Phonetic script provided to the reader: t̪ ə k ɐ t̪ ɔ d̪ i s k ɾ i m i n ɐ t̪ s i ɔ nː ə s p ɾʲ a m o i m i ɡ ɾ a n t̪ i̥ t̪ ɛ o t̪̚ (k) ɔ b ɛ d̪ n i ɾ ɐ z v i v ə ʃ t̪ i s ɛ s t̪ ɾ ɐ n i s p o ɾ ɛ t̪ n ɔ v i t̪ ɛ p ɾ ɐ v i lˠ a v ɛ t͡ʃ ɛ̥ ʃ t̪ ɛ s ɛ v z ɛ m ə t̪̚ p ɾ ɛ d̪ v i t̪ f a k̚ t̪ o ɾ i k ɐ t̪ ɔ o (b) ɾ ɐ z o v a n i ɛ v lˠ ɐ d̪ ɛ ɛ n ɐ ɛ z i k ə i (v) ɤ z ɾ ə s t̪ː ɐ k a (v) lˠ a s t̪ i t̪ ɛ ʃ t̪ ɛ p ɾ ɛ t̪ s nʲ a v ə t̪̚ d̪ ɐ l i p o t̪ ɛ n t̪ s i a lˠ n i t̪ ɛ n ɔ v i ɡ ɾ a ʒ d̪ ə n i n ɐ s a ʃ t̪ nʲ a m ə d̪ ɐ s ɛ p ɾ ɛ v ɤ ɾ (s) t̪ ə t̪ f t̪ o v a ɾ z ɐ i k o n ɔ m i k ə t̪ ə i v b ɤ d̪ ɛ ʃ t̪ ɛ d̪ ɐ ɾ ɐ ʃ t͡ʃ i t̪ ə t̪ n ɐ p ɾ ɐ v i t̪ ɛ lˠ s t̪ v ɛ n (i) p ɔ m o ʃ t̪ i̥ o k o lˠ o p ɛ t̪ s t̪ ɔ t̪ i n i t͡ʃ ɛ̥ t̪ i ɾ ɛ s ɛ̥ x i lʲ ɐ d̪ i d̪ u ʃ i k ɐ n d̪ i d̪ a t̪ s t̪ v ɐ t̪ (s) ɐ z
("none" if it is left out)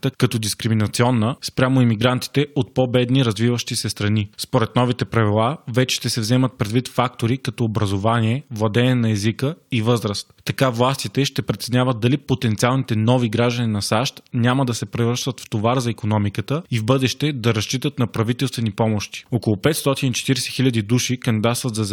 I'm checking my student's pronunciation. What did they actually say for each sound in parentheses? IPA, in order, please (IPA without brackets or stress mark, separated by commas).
p, b, v, v, ʃ, i, z